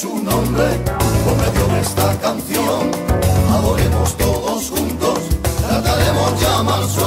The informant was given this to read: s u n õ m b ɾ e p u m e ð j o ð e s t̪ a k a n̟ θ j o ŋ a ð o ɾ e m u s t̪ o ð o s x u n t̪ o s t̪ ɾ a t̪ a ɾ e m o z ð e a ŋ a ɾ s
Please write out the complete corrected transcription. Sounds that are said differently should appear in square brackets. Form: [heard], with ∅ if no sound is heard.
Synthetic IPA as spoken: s u n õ m b ɾ e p [o] m e ð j o ð e s t̪ a k a n̟ θ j o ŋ a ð o ɾ e m [o] s t̪ o ð o s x u n t̪ o s t̪ ɾ a t̪ a ɾ e m o z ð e a [m] a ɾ s